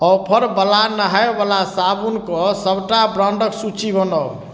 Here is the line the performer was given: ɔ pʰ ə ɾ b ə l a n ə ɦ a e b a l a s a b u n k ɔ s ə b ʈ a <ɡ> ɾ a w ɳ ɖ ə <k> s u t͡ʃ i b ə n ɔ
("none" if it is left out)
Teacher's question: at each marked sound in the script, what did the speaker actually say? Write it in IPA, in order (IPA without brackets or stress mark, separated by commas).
b, k